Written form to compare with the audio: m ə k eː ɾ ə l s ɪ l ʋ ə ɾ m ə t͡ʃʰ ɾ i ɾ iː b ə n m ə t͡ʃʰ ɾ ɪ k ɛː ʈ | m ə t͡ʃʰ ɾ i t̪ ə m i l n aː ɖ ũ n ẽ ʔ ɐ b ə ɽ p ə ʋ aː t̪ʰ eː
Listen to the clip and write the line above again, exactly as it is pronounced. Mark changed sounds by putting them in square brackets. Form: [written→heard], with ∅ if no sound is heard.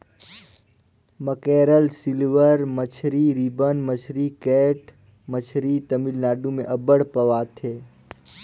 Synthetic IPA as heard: m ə k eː ɾ ə l s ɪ l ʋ ə ɾ m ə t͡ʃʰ ɾ i ɾ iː b ə n m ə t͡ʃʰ ɾ [ɪ→i] k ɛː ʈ | m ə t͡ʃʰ ɾ i t̪ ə m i l n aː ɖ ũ [n→m] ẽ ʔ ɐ b ə ɽ p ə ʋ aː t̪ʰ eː